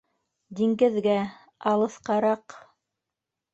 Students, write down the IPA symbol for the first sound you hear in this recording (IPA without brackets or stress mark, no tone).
d̪